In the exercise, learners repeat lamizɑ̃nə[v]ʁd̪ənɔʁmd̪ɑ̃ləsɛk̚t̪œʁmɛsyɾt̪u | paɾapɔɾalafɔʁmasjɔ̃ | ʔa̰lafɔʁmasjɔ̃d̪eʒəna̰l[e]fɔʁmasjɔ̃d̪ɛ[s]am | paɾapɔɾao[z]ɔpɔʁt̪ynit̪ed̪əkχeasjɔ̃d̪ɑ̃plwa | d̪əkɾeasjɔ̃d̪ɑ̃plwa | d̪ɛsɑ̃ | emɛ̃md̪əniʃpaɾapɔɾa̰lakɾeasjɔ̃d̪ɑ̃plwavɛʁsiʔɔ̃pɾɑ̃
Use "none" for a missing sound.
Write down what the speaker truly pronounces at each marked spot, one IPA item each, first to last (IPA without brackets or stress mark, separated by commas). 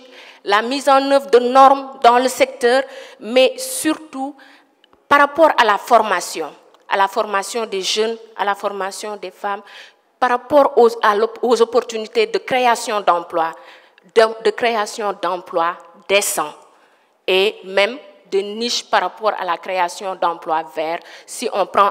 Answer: v, a, f, z